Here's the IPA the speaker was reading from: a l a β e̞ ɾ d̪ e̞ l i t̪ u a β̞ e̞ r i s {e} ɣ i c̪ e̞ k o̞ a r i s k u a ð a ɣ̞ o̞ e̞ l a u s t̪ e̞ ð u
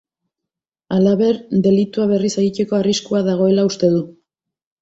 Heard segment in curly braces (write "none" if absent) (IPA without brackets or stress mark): e